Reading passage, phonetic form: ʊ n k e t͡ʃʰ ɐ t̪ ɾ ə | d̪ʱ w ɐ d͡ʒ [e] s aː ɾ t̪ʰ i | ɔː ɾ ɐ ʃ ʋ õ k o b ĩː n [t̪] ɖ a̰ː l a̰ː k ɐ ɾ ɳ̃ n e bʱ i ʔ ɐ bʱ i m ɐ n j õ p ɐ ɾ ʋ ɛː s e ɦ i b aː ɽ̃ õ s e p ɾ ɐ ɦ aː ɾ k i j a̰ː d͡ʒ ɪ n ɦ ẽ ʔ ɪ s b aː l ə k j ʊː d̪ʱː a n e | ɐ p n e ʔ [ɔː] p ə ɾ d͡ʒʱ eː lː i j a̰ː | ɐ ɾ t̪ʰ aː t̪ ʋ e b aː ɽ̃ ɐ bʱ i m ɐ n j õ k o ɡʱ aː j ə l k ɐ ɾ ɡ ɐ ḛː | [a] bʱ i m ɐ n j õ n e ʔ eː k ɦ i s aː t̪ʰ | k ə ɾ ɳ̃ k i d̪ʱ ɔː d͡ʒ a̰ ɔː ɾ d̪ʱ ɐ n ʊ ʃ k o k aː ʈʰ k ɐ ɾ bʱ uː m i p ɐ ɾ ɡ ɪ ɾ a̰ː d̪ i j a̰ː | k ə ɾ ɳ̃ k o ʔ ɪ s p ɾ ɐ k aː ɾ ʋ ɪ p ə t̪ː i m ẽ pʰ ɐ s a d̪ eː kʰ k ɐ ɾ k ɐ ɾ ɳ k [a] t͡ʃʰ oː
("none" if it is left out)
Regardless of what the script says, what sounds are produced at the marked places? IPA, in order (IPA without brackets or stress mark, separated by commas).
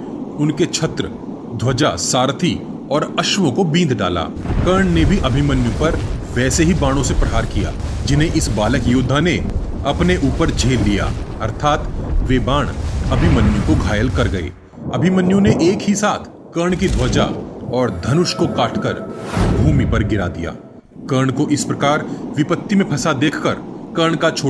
a, d̪, uː, ɐ, a